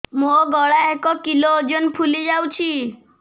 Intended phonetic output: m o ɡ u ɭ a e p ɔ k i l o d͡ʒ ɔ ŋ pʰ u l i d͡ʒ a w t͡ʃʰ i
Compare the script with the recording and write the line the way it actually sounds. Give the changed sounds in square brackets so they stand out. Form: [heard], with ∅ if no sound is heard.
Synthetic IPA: m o ɡ [ɔ] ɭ a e [k] ɔ k i l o d͡ʒ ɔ [n] pʰ u l i d͡ʒ a w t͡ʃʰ i